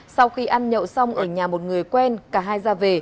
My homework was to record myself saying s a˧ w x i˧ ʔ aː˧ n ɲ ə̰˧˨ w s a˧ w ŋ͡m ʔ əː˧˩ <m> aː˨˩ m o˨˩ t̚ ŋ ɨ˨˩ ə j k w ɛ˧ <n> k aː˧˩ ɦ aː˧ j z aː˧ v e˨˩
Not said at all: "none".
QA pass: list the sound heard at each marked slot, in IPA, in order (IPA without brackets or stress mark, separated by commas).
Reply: ɲ, n